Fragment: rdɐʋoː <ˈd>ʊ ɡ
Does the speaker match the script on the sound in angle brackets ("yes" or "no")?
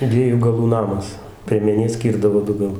yes